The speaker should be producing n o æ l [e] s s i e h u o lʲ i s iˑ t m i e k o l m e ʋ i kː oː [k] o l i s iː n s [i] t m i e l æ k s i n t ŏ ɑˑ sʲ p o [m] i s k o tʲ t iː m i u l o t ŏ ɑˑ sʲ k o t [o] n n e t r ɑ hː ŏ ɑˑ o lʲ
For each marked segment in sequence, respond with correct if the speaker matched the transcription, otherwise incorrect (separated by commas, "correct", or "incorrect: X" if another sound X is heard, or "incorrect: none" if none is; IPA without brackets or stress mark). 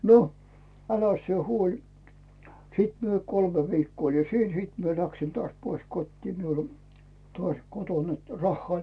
incorrect: æ, incorrect: none, incorrect: iː, incorrect: none, correct